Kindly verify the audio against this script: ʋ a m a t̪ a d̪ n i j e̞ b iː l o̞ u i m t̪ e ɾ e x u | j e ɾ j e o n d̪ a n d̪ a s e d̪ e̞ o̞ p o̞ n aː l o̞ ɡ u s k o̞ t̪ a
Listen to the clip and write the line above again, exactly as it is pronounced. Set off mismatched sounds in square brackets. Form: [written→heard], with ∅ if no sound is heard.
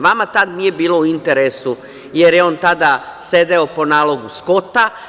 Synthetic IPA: ʋ a m a t̪ a d̪ n i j e̞ b iː l o̞ u i [m→n] t̪ e ɾ e [x→s] u | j e ɾ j e o n [d̪→t̪] a [n→∅] d̪ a s e d̪ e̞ o̞ p o̞ n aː l o̞ ɡ u s k o̞ t̪ a